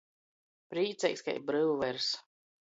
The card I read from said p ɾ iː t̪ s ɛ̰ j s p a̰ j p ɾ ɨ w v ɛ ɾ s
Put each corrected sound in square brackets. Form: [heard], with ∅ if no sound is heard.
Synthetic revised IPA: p ɾ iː t̪ s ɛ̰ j s [k] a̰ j [b] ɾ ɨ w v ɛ ɾ s